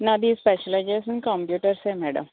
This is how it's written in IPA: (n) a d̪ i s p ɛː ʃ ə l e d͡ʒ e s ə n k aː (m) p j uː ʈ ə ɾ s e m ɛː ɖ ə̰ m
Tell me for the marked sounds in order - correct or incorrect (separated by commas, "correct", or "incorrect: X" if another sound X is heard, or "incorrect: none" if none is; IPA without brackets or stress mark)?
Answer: correct, correct